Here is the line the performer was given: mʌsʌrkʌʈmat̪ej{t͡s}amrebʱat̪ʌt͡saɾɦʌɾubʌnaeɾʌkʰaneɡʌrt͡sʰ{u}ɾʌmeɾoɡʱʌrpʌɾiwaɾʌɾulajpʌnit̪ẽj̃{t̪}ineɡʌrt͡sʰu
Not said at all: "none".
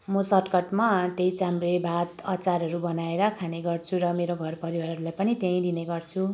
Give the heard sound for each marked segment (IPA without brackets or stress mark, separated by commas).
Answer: t͡s, u, d̪